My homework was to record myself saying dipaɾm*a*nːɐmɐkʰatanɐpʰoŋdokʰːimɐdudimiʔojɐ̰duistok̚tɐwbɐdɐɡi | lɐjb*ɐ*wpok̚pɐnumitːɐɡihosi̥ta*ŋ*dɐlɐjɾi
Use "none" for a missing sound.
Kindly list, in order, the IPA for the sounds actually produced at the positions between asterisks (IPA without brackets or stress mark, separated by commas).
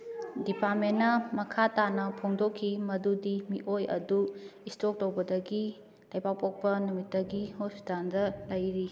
e, a, n